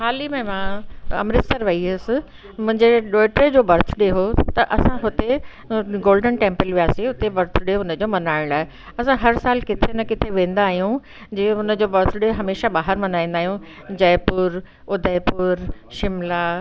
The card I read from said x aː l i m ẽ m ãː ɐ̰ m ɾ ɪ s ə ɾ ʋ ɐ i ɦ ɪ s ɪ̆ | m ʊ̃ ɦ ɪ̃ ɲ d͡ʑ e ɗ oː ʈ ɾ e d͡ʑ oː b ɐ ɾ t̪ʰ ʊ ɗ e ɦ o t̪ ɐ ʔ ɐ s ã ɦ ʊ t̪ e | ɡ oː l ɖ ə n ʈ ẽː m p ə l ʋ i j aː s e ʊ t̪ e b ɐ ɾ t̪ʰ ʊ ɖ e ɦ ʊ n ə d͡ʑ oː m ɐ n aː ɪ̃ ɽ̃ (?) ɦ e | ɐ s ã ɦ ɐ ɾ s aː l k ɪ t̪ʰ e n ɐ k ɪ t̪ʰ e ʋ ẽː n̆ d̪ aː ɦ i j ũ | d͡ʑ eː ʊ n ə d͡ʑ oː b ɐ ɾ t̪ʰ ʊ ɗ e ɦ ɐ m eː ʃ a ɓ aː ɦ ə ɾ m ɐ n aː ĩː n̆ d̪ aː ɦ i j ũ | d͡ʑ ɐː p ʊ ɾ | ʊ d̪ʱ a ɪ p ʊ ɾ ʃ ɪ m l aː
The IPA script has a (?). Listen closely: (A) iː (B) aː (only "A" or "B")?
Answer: B